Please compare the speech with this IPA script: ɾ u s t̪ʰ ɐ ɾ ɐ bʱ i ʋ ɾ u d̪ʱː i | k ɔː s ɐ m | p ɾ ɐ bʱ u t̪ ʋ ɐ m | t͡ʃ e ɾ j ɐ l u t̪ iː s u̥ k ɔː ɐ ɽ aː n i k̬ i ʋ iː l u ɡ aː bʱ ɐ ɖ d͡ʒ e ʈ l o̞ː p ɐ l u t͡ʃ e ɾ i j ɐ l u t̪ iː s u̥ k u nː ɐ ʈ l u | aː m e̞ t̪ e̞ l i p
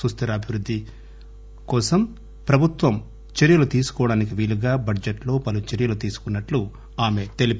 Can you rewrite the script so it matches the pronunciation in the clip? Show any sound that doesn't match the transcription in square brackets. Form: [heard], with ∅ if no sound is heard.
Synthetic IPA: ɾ u s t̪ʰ ɐ ɾ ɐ bʱ i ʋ ɾ u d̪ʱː i | k ɔː s ɐ m | p ɾ ɐ bʱ u t̪ ʋ ɐ m | t͡ʃ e ɾ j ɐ l u t̪ iː s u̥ k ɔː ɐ ɽ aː n i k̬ i ʋ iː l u ɡ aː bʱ ɐ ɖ d͡ʒ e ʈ l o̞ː p ɐ l u t͡ʃ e ɾ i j ɐ l u t̪ iː s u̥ k u nː ɐ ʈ l u | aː m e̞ t̪ e̞ l i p